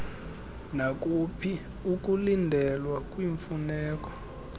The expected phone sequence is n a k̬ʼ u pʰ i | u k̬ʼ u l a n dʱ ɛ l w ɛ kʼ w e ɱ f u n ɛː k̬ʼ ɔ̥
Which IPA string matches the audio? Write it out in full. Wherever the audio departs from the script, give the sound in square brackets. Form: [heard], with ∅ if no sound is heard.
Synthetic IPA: n a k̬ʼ u pʰ i | u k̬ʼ u l [i] n dʱ ɛ l w [a] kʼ w [i] ɱ f u n ɛː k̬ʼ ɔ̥